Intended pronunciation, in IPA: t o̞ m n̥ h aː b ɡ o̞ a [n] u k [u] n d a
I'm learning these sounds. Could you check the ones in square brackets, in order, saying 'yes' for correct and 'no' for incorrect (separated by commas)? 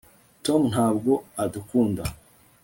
no, no